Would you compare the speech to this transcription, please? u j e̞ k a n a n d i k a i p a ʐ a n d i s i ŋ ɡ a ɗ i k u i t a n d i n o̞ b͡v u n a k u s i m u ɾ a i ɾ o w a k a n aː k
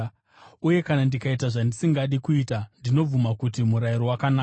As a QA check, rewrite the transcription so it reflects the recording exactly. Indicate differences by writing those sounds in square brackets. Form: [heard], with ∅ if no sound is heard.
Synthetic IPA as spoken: u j e̞ k a n a n d i k a i [t] a ʐ a n d i s i ŋ ɡ a ɗ i k u i t a n d i n o̞ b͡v u [m] a k u [t] i m u ɾ a i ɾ o w a k a n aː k